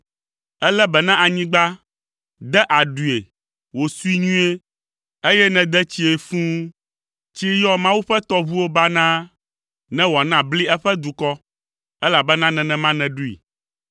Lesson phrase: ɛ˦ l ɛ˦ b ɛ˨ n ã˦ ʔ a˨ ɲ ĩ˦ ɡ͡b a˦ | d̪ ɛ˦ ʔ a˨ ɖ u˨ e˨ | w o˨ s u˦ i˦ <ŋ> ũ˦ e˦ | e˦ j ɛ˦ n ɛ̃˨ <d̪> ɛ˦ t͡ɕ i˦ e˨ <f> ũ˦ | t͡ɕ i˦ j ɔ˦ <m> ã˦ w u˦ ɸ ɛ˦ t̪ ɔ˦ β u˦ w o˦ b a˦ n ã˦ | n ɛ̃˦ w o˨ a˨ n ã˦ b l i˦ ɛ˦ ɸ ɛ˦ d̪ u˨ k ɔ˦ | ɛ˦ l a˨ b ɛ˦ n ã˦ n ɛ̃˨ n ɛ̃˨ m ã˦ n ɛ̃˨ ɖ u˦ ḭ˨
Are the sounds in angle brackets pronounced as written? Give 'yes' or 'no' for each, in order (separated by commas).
no, yes, yes, yes